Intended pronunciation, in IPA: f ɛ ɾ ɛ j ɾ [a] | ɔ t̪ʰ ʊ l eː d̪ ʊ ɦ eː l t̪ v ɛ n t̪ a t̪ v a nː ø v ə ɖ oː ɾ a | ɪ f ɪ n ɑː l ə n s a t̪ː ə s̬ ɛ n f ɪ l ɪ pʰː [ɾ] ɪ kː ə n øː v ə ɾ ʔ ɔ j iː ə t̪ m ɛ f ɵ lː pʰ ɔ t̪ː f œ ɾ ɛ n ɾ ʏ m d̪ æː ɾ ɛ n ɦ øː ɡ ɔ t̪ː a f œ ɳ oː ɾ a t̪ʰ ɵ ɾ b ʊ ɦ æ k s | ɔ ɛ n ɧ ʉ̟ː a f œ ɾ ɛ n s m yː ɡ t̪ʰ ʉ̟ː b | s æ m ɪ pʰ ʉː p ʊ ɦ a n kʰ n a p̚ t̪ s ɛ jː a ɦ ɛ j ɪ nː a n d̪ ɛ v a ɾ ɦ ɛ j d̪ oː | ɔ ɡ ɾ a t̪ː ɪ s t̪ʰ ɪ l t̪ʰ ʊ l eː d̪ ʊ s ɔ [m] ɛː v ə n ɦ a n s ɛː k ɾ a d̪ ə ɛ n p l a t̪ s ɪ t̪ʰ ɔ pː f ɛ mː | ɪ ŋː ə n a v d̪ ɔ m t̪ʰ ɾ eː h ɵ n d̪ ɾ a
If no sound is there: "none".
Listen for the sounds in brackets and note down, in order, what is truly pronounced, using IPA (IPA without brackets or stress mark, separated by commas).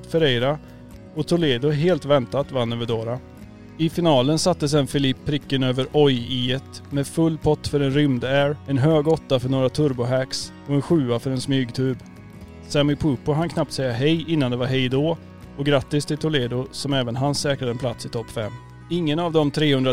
a, ɾ, m